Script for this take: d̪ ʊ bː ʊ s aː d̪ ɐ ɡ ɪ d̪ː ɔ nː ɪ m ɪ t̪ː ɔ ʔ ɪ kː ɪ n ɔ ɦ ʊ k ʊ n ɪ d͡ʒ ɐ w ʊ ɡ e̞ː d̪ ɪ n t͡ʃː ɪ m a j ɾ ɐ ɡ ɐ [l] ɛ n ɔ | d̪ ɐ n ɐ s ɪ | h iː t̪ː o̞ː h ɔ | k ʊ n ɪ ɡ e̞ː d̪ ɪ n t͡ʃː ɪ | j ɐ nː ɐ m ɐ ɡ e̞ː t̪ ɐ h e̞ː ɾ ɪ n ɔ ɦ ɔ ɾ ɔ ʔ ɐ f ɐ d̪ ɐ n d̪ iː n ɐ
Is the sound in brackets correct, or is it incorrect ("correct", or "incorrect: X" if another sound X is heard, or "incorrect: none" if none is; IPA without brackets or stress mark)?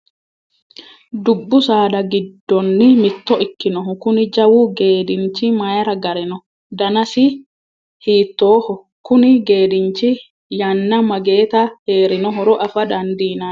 incorrect: ɾ